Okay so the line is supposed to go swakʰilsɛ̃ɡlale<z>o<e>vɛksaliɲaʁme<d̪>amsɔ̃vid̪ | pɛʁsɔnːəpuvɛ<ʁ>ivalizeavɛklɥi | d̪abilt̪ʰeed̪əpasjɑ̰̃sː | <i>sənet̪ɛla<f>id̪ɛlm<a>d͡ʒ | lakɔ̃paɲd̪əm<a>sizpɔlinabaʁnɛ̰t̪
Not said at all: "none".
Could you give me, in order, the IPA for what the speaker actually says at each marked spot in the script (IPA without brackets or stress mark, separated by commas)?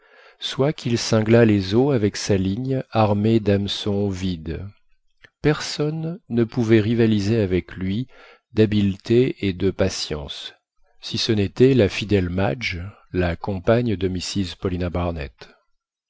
z, a, d̪, ʁ, i, f, a, i